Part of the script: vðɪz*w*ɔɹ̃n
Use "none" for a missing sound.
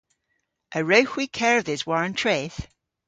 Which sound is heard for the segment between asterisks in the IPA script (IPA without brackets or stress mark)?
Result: w